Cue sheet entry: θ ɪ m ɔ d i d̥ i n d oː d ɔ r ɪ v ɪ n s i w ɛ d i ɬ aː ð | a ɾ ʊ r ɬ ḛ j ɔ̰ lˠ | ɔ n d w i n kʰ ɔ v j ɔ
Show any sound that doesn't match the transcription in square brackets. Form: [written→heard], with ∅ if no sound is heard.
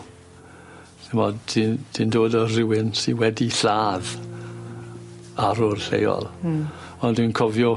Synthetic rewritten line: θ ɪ m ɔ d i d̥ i n d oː d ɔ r ɪ [v→w] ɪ n s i w ɛ d i ɬ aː ð | a ɾ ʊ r ɬ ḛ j ɔ̰ lˠ | ɔ n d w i n kʰ ɔ v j ɔ